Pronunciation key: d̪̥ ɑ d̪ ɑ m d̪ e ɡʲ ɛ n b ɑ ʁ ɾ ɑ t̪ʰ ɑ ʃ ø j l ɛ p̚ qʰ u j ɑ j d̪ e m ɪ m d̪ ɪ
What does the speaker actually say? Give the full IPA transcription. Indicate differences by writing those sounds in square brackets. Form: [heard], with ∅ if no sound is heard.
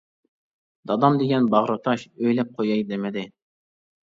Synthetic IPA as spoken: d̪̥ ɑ d̪ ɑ m d̪ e ɡʲ ɛ n b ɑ ʁ ɾ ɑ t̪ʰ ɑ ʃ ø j l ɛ p̚ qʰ [o] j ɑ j d̪ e m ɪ [∅] d̪ ɪ